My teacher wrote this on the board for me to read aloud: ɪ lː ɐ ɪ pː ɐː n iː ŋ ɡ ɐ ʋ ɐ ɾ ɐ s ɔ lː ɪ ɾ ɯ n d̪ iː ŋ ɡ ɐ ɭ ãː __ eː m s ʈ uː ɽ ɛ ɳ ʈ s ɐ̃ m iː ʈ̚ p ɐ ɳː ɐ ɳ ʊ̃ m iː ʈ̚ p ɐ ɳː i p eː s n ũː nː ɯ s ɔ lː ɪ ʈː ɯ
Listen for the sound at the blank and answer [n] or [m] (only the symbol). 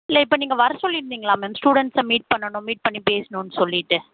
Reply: m